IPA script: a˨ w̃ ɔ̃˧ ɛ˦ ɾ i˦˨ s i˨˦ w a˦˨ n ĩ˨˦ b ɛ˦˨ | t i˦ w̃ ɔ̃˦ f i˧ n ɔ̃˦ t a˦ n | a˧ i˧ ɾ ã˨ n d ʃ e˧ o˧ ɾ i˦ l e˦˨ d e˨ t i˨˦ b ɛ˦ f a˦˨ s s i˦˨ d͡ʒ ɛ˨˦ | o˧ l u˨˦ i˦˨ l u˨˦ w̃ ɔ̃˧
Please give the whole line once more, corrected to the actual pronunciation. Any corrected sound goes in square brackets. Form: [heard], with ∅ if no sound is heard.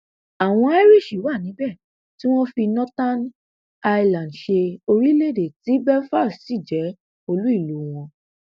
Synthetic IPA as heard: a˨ w̃ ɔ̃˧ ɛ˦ ɾ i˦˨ [ʃ] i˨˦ w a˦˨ n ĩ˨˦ b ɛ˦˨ | t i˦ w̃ ɔ̃˦ f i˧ n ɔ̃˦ t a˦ n | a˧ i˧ [l] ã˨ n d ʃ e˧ o˧ ɾ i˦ l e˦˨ d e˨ t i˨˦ b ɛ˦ f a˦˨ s s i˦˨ d͡ʒ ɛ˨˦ | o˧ l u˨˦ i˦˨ l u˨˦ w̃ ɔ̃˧